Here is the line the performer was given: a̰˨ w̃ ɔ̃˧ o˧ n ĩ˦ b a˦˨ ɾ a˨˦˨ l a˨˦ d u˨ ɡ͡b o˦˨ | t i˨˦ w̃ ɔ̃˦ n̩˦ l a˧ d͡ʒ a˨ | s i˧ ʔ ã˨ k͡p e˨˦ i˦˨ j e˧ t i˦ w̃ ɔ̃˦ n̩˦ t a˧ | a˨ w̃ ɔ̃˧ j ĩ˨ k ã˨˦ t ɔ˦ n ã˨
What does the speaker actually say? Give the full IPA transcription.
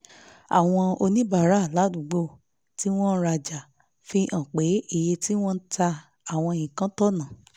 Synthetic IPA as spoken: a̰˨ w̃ ɔ̃˧ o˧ n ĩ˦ b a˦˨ ɾ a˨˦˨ l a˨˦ d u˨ ɡ͡b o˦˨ | t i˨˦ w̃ ɔ̃˦ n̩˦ ɾ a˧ d͡ʒ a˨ | f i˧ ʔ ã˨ k͡p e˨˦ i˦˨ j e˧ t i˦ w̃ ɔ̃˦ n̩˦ t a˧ | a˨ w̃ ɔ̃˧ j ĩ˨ k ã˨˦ t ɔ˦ n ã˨